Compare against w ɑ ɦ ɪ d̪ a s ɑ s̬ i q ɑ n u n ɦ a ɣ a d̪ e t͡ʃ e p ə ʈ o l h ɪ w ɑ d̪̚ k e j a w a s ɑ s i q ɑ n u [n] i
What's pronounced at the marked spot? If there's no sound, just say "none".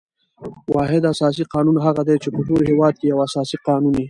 n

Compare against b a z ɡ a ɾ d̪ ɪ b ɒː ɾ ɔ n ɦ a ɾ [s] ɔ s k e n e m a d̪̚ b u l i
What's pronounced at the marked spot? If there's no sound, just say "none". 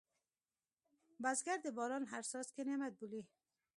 s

